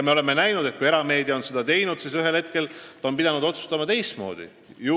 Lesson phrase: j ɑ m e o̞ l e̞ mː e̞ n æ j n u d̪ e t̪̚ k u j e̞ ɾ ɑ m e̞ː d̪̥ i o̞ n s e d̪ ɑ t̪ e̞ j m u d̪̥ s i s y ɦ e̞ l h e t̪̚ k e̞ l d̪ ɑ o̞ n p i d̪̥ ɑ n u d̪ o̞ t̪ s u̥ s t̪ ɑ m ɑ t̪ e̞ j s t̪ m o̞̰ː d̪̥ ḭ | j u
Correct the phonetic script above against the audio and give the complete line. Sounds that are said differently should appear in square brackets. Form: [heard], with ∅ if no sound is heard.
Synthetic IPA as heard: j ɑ m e o̞ l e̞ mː e̞ n æ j n u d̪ e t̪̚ k u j e̞ ɾ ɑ m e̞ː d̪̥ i o̞ n s e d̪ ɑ t̪ e̞ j [n] u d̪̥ s i s y ɦ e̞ l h e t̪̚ k e̞ l [t̪] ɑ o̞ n p i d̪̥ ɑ n u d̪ o̞ t̪ s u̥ s t̪ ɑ m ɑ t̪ e̞ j s t̪ m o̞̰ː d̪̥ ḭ | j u